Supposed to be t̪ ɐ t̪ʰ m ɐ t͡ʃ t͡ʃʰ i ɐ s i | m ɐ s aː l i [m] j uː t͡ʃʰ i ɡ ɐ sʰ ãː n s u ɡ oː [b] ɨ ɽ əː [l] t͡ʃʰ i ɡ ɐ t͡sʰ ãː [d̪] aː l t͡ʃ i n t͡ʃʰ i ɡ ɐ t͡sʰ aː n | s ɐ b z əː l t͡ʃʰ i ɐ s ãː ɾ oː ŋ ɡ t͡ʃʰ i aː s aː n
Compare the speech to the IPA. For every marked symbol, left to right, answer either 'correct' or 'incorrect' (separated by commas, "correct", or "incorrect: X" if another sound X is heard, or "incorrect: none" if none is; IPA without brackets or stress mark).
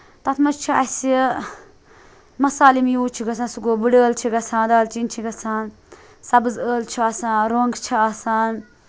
correct, correct, correct, correct